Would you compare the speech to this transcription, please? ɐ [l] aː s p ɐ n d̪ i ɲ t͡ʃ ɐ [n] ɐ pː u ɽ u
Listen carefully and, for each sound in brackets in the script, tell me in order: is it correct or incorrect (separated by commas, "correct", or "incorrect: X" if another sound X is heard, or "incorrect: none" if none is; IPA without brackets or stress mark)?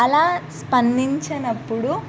correct, correct